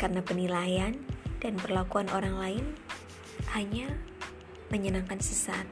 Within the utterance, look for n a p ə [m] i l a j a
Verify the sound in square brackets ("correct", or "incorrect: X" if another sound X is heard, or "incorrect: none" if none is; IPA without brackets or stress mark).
incorrect: n